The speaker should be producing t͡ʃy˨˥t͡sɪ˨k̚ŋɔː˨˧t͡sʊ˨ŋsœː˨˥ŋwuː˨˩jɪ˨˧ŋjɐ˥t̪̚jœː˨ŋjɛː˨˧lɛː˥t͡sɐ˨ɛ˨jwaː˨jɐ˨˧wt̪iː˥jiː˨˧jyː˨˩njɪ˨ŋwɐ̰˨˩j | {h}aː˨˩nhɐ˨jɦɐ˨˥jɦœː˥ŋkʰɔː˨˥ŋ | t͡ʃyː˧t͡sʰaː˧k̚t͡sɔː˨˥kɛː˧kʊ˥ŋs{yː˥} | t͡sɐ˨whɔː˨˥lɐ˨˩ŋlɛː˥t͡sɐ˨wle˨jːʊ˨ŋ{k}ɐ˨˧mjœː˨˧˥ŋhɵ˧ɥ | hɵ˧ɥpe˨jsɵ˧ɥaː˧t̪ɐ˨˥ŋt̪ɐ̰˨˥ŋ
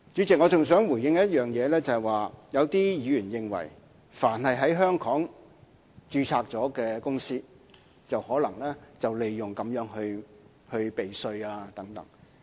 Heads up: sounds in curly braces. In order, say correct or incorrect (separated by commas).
incorrect, incorrect, correct